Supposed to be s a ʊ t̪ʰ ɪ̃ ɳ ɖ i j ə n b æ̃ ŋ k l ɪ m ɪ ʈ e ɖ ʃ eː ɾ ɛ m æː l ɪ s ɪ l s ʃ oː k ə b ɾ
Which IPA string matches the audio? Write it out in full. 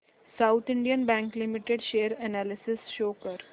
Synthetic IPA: s a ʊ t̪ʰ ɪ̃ ɳ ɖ i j ə n b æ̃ ŋ k l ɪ m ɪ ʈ e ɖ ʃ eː ɾ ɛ n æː l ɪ s ɪ s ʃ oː k ə ɾ